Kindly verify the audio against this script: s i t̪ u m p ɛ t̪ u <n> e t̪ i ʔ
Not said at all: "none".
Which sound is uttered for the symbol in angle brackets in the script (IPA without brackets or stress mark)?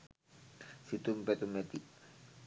m